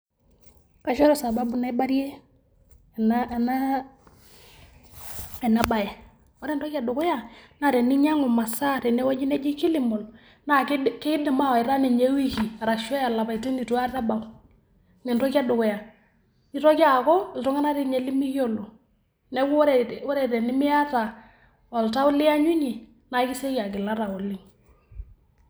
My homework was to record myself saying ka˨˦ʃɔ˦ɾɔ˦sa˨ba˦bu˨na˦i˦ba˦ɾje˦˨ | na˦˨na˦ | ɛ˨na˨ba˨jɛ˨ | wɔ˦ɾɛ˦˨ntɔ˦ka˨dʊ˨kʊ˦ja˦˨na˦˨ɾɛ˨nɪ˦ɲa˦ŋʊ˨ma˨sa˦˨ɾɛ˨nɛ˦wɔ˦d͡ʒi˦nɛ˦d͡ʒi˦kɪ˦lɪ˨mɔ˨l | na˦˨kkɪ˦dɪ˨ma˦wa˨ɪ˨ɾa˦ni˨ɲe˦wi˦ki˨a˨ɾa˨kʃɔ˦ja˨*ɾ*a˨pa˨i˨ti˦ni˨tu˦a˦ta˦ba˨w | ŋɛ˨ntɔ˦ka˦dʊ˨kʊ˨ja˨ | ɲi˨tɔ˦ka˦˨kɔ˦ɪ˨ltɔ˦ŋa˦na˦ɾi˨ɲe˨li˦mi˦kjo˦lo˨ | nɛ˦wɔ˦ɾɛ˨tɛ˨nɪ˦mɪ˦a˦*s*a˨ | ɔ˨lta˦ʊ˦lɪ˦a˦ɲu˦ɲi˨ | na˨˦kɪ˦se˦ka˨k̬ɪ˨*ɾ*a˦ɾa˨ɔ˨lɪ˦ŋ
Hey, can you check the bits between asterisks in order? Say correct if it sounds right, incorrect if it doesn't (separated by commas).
incorrect, incorrect, incorrect